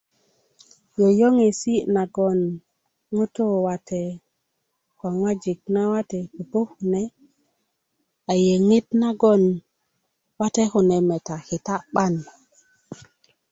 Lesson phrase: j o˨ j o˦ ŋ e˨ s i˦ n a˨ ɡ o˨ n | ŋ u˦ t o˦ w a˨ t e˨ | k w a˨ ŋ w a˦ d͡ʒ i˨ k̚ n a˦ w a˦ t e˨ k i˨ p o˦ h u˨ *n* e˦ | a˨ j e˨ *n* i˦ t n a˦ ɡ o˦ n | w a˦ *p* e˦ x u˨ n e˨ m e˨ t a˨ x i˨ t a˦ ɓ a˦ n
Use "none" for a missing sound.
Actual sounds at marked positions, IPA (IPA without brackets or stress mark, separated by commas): n, ŋ, t